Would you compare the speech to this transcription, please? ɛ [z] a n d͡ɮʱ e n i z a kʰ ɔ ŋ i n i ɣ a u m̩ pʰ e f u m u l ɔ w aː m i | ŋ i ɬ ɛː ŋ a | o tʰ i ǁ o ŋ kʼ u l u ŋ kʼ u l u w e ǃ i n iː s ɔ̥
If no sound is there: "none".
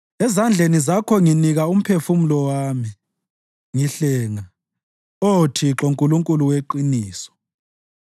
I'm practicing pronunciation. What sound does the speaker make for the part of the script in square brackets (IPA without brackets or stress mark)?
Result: z